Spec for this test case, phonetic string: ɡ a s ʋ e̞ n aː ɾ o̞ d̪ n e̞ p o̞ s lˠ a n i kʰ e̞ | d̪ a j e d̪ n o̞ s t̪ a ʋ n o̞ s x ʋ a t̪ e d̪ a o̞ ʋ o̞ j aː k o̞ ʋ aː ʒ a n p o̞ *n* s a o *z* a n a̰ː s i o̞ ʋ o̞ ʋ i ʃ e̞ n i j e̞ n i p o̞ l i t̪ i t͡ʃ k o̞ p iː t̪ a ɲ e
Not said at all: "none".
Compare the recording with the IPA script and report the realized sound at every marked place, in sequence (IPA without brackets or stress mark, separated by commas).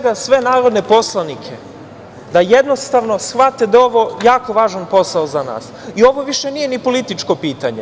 none, z